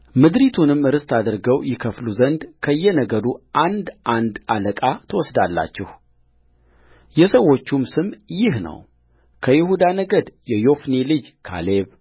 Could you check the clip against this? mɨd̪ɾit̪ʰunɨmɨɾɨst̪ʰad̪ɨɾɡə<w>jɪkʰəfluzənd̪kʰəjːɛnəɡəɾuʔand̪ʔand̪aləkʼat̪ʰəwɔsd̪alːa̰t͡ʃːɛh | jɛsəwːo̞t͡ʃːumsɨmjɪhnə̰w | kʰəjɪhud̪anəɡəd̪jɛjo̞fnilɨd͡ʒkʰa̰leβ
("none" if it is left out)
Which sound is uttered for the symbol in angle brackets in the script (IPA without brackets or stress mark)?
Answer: w